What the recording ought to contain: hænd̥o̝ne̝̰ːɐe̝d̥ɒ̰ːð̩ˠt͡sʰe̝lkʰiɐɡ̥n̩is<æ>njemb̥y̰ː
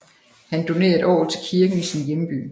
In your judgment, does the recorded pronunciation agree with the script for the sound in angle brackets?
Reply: no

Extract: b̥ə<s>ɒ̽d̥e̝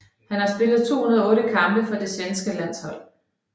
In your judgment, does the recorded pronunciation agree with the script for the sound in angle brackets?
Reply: no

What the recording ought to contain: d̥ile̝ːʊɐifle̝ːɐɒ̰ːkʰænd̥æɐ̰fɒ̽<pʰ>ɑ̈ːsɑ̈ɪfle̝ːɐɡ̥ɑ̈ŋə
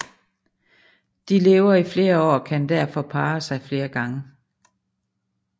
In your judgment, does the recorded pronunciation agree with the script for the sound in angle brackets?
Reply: yes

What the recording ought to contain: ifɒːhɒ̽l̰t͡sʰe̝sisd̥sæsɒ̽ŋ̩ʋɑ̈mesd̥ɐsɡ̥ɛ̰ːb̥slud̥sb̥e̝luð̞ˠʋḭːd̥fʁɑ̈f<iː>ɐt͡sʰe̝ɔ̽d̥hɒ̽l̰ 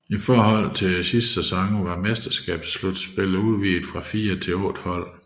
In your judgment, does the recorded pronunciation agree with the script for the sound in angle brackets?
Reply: yes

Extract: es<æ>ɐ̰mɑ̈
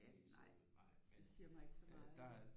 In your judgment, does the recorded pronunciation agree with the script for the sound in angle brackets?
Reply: no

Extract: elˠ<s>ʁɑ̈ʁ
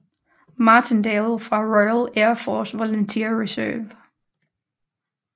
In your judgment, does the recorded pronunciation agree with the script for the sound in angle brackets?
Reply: no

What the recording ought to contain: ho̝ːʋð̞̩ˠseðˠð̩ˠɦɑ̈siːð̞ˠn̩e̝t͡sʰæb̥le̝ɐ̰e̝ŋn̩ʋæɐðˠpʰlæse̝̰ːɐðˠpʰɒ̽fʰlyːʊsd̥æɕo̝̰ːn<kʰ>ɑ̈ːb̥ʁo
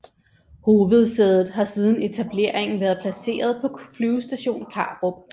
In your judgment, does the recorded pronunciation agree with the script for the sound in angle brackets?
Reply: yes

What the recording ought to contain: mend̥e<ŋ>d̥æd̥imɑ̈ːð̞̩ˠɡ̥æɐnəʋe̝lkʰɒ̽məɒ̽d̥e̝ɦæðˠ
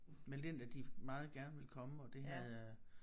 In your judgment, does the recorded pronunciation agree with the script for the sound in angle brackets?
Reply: no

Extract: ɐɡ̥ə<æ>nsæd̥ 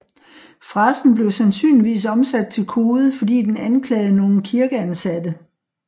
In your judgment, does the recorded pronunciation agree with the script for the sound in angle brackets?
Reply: yes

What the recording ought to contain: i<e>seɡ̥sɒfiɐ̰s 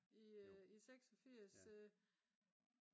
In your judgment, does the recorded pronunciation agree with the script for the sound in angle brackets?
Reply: no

